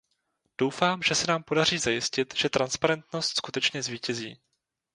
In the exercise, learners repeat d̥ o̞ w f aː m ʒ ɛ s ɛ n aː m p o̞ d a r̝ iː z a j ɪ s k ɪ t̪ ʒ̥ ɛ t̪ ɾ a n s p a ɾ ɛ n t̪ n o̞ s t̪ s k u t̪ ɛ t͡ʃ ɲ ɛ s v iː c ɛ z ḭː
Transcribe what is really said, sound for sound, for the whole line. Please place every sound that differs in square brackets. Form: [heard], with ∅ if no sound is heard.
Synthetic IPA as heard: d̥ o̞ w f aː m ʒ ɛ s ɛ n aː m p o̞ d a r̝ iː z a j ɪ s [c] ɪ t̪ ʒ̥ ɛ t̪ ɾ a n s p a ɾ ɛ n t̪ n o̞ s t̪ s k u t̪ ɛ t͡ʃ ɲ ɛ [z] v iː c ɛ z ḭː